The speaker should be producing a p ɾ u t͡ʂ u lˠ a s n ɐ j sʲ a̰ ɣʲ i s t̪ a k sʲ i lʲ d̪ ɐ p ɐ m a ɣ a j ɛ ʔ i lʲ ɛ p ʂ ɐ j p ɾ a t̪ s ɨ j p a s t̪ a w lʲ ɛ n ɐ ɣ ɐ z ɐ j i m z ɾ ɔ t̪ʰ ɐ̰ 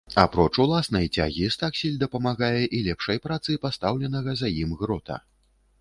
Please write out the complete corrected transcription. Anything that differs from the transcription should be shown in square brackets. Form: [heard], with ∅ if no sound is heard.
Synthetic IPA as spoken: a p ɾ [ɔ] t͡ʂ u lˠ a s n ɐ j [t͡sʲ] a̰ ɣʲ i s t̪ a k sʲ i lʲ d̪ ɐ p ɐ m a ɣ a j ɛ ʔ i lʲ ɛ p ʂ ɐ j p ɾ a t̪ s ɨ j p a s t̪ a w lʲ ɛ n ɐ ɣ ɐ z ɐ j i m [ɣ] ɾ ɔ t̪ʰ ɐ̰